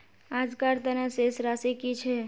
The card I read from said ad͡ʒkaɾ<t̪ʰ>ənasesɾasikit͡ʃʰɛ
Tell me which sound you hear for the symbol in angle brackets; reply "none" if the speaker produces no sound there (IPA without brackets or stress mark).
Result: t̪